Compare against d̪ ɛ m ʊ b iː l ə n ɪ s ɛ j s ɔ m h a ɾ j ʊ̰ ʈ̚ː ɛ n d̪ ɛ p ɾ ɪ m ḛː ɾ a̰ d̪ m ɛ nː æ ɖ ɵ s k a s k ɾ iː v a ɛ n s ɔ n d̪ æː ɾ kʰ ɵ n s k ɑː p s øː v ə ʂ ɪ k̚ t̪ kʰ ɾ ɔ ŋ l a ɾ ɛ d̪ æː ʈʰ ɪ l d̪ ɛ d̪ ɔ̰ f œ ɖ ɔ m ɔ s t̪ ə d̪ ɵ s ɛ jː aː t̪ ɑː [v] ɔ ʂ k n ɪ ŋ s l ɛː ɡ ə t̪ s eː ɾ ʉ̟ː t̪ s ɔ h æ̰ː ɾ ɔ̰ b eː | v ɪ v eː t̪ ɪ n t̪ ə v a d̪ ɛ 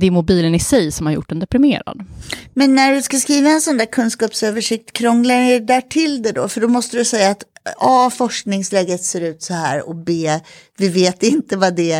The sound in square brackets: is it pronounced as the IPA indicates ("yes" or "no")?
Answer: no